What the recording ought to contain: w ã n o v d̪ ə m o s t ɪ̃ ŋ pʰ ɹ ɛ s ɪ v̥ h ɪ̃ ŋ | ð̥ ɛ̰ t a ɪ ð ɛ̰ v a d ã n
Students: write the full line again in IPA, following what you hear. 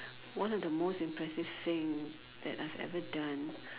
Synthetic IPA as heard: w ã n ɔ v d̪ ə m o s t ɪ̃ m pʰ ɹ ɛ s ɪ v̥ θ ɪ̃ ŋ | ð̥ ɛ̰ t a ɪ v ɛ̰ v ə d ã n